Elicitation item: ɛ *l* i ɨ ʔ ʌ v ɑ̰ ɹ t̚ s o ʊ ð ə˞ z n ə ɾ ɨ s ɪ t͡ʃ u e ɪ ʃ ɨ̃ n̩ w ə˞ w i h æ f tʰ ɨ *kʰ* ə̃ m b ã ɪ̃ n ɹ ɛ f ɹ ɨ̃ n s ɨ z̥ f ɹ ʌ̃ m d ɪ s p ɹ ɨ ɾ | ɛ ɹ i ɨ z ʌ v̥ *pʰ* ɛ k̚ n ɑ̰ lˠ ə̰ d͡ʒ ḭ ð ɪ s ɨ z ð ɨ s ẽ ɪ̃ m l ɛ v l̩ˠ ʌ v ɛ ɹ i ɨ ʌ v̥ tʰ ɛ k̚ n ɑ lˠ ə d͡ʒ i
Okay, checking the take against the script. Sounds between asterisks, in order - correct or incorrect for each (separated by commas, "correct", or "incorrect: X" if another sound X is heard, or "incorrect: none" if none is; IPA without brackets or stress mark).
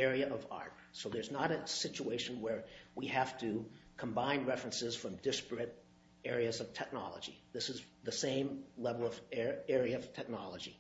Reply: incorrect: ɹ, correct, incorrect: tʰ